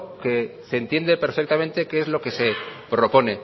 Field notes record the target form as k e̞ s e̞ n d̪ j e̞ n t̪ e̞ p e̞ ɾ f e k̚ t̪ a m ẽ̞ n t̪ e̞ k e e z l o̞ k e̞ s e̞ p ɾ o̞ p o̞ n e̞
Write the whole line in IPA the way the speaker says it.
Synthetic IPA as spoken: k e̞ s e̞ n t̪ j e̞ n d̪ e̞ p e̞ ɾ f e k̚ t̪ a m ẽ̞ n t̪ e̞ k e e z l o̞ k e̞ s e̞ p ɾ o̞ p o̞ n e̞

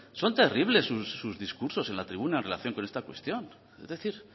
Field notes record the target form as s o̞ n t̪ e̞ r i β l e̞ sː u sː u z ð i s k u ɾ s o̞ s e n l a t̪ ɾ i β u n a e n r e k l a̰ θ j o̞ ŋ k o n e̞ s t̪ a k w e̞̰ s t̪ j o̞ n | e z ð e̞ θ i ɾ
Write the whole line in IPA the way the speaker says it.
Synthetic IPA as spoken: s o̞ n t̪ e̞ r i β l e̞ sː u sː u z ð i s k u ɾ s o̞ s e n l a t̪ ɾ i β u n a e n r e l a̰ θ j o̞ ŋ k o n e̞ s t̪ a k w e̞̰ s t̪ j o̞ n | e z ð e̞ θ i ɾ

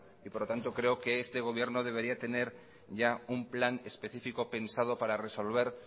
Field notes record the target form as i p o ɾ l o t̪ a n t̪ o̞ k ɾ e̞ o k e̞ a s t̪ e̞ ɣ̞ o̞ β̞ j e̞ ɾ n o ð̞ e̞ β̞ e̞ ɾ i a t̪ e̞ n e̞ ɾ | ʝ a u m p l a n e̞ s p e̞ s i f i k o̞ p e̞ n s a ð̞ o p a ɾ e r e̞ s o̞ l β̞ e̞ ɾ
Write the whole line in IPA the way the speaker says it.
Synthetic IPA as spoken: i p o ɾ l o t̪ a n t̪ o̞ k ɾ e̞ o k e̞ e s t̪ e̞ ɣ̞ o̞ β̞ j e̞ ɾ n o ð̞ e̞ β̞ e̞ ɾ i a t̪ e̞ n e̞ ɾ | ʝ a u m p l a n e̞ s p e̞ θ i f i k o̞ p e̞ n s a ð̞ o p a ɾ a r e̞ s o̞ l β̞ e̞ ɾ

